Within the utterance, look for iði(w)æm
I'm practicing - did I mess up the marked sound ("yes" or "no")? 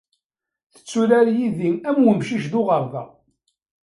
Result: yes